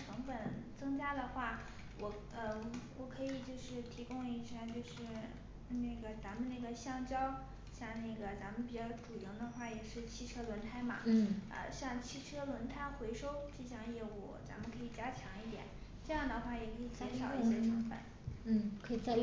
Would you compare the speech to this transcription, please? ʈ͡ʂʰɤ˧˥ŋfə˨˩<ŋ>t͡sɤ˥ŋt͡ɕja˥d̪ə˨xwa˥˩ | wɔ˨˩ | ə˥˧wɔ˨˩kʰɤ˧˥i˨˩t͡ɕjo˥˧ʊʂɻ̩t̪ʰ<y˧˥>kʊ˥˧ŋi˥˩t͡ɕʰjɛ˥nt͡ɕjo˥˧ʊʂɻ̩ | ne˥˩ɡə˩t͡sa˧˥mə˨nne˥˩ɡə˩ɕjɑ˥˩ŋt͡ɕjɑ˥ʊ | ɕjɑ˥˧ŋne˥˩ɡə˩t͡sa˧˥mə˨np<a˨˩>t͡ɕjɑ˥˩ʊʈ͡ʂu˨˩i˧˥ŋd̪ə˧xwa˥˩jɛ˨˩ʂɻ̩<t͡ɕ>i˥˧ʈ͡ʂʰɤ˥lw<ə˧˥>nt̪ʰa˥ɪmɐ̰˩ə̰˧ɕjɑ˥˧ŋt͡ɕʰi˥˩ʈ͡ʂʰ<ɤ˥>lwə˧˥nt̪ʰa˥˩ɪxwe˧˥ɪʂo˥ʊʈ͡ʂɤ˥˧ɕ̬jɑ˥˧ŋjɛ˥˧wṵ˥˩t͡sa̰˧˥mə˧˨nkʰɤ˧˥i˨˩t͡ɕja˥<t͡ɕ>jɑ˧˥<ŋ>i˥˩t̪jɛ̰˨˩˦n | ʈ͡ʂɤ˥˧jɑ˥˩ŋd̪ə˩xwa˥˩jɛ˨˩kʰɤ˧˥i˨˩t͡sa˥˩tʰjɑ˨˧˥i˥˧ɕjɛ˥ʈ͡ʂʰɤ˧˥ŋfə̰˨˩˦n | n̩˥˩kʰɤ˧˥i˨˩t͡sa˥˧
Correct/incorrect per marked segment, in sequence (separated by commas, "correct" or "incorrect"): incorrect, incorrect, incorrect, incorrect, correct, correct, incorrect, correct